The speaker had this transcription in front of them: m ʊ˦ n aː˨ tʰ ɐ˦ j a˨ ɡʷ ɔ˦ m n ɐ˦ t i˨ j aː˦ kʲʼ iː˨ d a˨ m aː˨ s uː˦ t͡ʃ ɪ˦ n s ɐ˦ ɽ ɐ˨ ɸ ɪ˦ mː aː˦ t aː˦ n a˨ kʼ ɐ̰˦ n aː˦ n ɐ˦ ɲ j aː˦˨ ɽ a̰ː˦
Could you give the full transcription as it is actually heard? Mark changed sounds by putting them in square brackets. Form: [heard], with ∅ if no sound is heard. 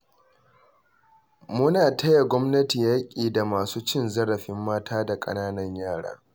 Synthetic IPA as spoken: m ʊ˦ n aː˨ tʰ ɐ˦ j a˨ ɡʷ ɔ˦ m n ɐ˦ t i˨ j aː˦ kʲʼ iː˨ d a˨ m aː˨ s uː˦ t͡ʃ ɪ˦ n [z] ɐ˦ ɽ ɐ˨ ɸ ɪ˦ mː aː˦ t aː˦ [d] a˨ kʼ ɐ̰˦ n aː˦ n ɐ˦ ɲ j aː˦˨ ɽ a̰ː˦

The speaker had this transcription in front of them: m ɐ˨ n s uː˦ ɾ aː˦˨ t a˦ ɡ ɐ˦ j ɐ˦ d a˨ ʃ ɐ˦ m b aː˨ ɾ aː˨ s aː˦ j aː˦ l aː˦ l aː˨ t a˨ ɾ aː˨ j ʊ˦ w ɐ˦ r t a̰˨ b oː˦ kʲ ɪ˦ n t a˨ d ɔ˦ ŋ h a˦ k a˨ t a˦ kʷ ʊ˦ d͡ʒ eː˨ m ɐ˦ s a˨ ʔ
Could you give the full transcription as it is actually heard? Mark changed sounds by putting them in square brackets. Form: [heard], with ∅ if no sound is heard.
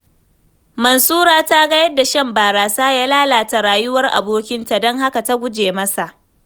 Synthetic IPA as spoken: m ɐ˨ n s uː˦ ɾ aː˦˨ t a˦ ɡ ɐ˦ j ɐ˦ d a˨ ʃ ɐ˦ m b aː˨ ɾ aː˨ s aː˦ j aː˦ l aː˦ l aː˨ t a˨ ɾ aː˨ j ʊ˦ w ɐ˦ r [ʔ] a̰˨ b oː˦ kʲ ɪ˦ n t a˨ d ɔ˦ ŋ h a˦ k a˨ t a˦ [ɡʷ] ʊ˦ d͡ʒ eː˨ m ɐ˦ s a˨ ʔ

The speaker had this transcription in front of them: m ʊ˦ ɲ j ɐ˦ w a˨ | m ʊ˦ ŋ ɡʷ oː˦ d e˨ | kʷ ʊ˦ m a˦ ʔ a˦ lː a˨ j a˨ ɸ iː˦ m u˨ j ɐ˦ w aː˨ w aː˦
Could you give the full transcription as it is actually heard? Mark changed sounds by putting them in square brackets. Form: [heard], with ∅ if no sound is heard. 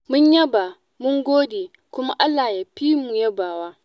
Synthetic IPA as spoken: m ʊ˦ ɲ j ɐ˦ [b] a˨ | m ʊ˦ ŋ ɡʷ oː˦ d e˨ | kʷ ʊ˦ m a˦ ʔ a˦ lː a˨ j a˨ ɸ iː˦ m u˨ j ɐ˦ [b] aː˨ w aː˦

